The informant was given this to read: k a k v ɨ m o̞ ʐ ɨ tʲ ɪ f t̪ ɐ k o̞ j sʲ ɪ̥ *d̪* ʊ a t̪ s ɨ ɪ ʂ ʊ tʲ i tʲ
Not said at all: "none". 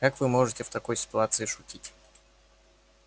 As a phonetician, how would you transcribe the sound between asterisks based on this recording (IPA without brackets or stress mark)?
t̪